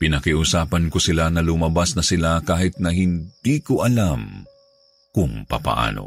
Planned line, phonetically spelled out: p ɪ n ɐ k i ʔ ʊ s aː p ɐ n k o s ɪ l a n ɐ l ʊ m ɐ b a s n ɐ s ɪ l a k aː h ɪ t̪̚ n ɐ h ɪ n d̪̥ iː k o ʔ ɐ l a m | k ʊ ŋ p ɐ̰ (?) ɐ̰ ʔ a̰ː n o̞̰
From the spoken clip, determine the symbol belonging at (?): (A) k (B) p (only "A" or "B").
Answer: B